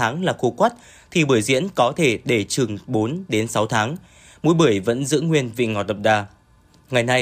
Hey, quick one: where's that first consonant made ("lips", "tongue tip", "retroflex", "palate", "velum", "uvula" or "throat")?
velum